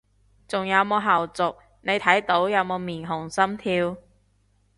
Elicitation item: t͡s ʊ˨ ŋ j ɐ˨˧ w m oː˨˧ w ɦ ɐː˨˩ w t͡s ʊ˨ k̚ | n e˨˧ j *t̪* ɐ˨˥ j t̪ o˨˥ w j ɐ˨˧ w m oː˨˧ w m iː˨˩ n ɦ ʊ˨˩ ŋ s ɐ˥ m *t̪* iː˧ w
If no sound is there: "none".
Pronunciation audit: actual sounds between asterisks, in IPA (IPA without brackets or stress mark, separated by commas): t̪ʰ, t̪ʰ